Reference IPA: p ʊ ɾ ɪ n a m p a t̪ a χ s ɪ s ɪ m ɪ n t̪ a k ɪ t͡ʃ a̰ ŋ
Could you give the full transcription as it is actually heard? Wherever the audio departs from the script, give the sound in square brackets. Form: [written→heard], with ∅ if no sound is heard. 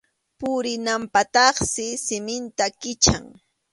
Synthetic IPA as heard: p ʊ ɾ ɪ n a m p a t̪ [a→ɑ] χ s ɪ s ɪ m ɪ n t̪ a k ɪ t͡ʃ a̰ ŋ